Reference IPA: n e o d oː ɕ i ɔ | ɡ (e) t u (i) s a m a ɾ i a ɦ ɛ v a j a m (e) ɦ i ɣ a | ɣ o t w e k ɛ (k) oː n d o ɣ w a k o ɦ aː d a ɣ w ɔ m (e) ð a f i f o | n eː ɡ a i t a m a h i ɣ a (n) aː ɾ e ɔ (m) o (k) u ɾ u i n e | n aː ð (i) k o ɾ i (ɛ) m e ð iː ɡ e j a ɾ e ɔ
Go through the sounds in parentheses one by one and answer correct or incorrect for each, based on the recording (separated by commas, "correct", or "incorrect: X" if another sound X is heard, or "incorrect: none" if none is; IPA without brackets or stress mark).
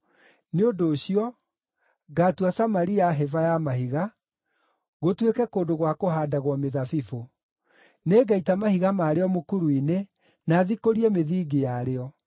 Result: incorrect: a, incorrect: a, incorrect: a, correct, correct, incorrect: m, correct, correct, correct, correct